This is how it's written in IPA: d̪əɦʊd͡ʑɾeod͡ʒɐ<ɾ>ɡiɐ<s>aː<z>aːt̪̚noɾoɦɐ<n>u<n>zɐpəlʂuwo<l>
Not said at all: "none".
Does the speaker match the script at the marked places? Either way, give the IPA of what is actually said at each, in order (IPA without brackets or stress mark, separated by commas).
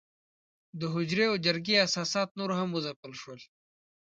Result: ɾ, s, s, m, none, l